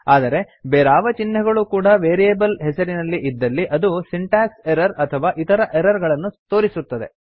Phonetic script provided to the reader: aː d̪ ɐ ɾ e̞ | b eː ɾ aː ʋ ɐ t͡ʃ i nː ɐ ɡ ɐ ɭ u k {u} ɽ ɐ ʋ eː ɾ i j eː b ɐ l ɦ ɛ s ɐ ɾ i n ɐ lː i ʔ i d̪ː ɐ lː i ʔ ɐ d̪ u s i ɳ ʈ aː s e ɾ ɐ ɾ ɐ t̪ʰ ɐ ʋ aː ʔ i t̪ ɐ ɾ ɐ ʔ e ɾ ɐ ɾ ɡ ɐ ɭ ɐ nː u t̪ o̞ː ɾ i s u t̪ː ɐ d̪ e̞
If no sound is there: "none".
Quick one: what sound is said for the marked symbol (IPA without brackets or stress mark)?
uː